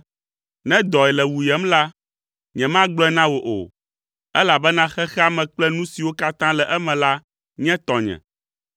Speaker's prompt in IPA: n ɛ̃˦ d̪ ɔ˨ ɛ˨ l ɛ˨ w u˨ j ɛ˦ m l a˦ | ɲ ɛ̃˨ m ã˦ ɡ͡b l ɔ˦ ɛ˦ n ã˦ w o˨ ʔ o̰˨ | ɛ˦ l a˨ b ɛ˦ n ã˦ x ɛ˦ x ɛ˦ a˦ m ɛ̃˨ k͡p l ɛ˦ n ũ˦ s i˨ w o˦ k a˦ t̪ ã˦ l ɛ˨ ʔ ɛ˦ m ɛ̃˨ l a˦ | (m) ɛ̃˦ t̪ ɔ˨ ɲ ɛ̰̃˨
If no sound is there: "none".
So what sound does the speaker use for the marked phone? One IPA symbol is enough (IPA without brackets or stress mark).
ɲ